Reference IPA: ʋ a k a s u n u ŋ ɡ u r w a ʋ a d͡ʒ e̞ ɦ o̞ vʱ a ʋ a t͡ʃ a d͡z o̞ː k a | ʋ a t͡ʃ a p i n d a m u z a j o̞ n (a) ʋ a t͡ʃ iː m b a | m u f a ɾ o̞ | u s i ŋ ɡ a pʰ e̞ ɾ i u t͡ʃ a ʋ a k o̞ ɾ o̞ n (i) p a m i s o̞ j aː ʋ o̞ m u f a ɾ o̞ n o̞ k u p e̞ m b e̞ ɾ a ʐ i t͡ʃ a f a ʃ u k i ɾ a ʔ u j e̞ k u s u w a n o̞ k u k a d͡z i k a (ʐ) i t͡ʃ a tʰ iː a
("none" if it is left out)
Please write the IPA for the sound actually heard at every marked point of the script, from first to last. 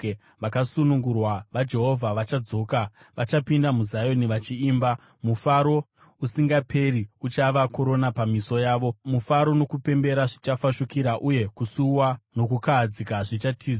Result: i, a, ʐ

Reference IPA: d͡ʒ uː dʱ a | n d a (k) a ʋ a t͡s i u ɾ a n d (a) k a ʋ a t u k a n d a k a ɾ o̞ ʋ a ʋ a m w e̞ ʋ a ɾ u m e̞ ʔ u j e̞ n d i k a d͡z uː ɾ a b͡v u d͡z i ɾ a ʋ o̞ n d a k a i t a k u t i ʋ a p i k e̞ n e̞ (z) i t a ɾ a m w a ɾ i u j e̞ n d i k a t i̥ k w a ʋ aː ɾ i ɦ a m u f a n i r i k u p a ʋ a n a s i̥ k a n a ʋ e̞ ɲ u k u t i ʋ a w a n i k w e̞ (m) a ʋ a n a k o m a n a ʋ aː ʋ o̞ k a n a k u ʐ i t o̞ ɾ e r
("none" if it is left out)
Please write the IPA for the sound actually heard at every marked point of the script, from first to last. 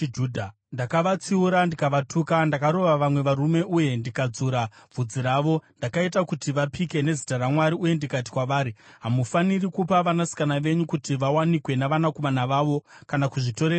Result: k, i, z, n

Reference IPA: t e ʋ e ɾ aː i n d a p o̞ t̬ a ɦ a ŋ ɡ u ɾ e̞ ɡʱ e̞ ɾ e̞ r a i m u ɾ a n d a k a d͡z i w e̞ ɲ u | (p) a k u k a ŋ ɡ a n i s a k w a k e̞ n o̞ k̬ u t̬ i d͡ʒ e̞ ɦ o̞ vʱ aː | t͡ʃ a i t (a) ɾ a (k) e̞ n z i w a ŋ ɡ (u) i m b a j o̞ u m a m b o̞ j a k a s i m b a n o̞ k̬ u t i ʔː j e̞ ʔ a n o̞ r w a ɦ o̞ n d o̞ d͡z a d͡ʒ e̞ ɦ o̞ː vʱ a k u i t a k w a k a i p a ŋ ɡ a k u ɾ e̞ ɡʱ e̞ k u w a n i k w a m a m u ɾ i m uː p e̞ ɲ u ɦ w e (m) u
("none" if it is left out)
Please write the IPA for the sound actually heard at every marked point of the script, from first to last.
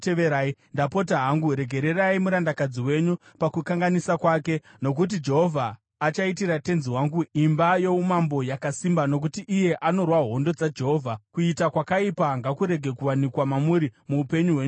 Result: p, i, t, u, ɲ

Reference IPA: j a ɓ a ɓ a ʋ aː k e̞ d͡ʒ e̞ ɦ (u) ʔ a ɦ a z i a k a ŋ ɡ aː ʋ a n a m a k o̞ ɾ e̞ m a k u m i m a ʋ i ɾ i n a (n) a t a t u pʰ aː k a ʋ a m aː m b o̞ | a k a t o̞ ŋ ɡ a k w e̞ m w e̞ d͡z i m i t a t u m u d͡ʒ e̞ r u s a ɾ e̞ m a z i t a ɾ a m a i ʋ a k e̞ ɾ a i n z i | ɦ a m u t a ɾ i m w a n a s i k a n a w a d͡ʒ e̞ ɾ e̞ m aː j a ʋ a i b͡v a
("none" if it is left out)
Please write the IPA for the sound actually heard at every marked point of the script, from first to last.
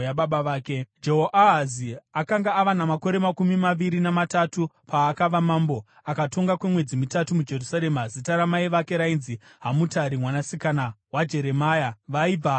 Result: o, m

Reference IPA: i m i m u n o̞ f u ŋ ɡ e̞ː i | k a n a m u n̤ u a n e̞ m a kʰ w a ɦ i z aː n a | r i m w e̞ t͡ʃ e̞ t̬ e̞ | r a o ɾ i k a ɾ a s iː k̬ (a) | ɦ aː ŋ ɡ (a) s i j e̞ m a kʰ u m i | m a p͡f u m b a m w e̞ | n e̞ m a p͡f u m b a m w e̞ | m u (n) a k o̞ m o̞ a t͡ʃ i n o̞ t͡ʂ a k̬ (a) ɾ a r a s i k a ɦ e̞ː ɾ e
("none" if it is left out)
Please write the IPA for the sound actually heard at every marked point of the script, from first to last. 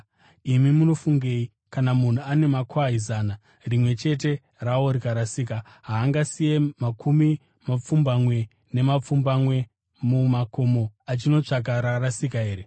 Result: a, a, m, a

